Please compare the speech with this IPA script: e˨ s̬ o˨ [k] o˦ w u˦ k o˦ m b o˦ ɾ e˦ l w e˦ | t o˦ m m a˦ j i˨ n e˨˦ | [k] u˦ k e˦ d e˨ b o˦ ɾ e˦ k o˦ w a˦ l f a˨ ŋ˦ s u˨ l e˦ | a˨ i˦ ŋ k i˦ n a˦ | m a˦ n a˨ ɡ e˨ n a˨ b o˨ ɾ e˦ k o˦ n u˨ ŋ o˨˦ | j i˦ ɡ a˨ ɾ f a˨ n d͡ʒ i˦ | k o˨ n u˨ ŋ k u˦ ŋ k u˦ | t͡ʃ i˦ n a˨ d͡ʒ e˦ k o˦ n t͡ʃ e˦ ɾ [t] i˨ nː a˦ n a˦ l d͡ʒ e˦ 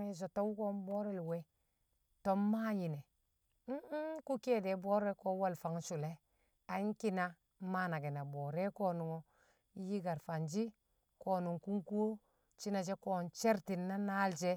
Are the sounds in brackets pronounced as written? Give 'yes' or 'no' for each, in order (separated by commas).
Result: no, yes, yes